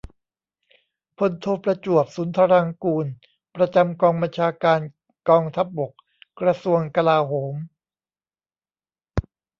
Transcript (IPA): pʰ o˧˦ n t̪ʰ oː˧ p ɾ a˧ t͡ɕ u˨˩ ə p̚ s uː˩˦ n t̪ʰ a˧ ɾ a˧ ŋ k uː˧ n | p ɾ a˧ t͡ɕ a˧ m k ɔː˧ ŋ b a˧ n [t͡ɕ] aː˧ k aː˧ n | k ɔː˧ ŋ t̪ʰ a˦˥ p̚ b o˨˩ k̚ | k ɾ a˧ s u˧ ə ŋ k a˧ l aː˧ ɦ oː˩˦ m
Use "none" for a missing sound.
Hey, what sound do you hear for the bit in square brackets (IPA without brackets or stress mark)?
t͡ɕʰ